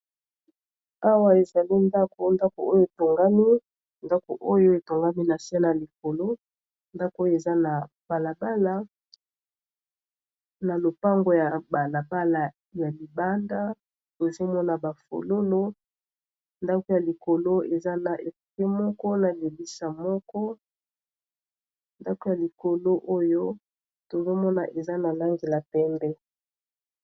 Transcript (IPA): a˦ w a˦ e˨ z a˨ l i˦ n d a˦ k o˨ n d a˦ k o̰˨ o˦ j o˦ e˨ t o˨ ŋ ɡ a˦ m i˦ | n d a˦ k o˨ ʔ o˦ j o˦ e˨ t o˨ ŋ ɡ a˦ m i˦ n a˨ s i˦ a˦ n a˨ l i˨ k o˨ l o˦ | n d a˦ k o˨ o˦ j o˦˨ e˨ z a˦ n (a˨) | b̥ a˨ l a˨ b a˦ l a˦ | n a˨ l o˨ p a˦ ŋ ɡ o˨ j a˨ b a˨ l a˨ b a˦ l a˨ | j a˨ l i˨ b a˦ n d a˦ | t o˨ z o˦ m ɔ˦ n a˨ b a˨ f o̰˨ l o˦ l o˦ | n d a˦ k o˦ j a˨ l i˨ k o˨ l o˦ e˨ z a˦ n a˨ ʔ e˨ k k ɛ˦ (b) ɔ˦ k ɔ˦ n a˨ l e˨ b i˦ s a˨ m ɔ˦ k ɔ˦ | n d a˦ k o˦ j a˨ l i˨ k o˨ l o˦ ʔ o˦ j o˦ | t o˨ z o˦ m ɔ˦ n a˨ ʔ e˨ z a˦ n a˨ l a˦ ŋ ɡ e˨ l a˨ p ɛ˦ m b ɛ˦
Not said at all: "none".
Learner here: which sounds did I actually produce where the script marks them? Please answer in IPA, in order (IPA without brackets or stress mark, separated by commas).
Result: a˨, m